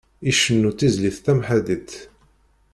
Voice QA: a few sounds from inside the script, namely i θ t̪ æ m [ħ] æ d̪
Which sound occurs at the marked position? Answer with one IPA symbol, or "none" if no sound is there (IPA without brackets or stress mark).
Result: ħ